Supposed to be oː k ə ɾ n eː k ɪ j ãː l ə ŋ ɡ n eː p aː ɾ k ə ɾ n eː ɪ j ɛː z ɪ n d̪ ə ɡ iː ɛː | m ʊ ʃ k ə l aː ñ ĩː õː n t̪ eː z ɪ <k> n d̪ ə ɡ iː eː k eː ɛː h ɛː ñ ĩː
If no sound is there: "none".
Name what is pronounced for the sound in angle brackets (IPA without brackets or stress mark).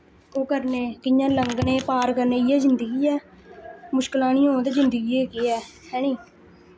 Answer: none